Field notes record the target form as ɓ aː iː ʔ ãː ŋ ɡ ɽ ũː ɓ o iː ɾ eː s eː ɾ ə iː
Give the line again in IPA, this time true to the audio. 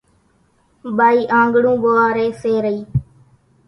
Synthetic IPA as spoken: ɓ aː iː ʔ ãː ŋ ɡ ɽ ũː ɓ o aː ɾ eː s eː ɾ ə iː